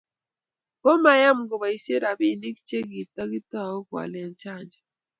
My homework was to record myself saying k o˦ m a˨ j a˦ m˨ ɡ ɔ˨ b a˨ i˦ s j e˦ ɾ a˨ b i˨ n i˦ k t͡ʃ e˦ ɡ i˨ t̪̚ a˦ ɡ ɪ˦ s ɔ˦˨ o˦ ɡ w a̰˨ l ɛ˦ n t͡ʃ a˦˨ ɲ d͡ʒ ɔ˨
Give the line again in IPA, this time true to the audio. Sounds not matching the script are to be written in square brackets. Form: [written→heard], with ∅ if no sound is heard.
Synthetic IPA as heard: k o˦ m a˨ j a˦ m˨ ɡ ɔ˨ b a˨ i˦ s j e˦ ɾ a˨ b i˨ n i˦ k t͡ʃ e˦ ɡ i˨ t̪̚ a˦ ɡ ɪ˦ [s→t] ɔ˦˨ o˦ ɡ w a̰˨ l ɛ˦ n t͡ʃ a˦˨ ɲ d͡ʒ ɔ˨